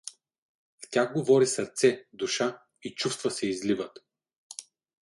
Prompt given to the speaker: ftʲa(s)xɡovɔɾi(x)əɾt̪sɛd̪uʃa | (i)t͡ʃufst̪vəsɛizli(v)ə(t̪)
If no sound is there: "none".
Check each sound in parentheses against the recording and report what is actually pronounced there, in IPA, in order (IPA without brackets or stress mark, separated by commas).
none, s, i, v, t̪